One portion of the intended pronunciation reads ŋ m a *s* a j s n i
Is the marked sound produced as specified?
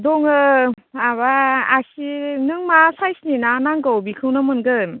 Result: yes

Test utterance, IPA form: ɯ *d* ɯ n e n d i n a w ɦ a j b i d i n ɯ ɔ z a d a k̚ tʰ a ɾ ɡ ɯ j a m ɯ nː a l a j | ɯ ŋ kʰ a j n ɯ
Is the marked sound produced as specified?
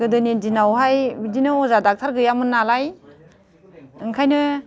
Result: yes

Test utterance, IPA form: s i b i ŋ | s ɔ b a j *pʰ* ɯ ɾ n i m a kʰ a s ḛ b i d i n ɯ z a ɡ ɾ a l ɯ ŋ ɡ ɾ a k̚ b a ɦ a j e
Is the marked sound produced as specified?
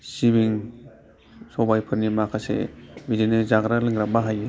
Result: yes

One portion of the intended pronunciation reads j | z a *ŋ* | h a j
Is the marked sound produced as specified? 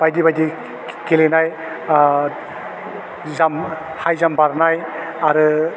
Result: no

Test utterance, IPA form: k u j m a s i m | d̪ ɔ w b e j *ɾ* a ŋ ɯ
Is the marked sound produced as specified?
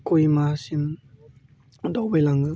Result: no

